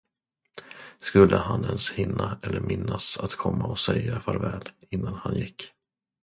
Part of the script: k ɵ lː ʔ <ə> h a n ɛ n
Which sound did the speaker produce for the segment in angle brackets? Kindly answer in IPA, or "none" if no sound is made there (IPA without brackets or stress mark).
ə